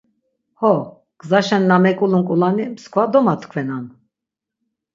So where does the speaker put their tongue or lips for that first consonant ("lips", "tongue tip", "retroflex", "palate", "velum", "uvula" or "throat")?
throat